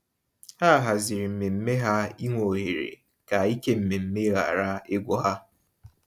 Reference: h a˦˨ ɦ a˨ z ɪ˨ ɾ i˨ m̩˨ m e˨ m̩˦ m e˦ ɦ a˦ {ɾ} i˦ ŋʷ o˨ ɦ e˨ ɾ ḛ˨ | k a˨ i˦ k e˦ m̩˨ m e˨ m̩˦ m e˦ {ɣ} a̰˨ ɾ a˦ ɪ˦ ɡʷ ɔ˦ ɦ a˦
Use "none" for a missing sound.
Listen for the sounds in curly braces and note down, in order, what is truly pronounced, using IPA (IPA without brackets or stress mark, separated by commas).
none, ɣ